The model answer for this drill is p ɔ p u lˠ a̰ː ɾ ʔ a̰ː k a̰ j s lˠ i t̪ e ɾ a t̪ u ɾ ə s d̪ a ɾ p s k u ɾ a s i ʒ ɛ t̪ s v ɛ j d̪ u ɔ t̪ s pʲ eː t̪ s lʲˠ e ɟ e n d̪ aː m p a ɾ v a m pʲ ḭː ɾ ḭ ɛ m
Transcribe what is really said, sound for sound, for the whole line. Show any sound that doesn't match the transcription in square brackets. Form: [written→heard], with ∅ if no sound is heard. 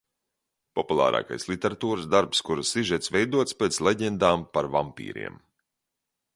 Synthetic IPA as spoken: p ɔ p u lˠ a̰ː ɾ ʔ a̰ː k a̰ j s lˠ i t̪ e ɾ a t̪ [u→uː] ɾ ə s d̪ a ɾ p s k u ɾ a s i ʒ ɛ t̪ s v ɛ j d̪ u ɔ t̪ s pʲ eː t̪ s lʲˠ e ɟ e n d̪ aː m p a ɾ v a m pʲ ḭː ɾ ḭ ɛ m